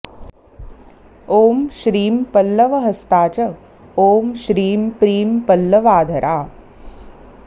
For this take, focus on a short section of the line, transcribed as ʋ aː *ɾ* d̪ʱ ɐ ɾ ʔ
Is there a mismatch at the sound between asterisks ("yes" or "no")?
yes